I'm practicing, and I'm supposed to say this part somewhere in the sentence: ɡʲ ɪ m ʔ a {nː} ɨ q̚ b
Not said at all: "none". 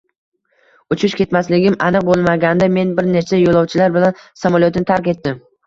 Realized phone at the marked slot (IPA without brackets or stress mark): n